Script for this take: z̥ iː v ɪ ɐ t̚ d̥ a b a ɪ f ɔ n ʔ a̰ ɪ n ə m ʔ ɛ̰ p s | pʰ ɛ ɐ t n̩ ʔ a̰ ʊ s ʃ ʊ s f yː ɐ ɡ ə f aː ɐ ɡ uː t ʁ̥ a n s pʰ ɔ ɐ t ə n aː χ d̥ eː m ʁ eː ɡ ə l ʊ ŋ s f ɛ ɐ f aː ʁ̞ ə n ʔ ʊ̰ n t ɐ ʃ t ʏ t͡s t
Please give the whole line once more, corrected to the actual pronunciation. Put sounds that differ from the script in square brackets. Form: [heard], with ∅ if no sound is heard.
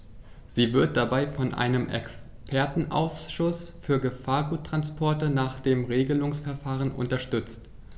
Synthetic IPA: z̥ iː v ɪ ɐ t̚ d̥ a b a ɪ f ɔ n ʔ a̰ ɪ n ə m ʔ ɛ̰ [k] s | pʰ ɛ ɐ t n̩ ʔ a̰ ʊ s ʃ ʊ s f yː ɐ ɡ ə f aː ɐ ɡ uː t ʁ̥ a n s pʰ ɔ ɐ t ə n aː χ d̥ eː m ʁ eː ɡ ə l ʊ ŋ s f ɛ ɐ f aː ʁ̞ ə n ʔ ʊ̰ n t ɐ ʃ t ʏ t͡s t